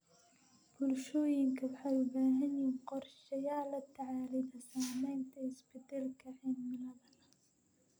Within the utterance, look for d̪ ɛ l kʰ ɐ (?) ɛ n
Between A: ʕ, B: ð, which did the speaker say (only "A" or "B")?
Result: A